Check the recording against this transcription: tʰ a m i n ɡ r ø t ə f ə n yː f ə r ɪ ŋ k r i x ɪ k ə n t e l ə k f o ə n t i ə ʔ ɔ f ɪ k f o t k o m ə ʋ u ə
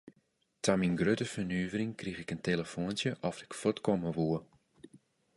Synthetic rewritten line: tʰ a m i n ɡ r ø t ə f ə n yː v ə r ɪ ŋ k r i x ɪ k ə n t e l ə f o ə n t j ə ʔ ɔ f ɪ k f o t k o m ə ʋ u ə